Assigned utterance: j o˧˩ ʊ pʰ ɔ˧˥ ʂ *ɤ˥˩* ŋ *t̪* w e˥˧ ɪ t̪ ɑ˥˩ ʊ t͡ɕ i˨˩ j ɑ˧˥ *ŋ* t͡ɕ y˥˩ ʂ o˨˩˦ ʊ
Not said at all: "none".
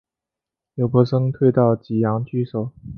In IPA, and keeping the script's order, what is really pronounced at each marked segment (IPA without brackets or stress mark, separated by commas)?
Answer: ɤ˥, t̪ʰ, ŋ